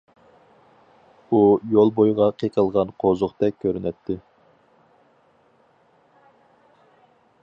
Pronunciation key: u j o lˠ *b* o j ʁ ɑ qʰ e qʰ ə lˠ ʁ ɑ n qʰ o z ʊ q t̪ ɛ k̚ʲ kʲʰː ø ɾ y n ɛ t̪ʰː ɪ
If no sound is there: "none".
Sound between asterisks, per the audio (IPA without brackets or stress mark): b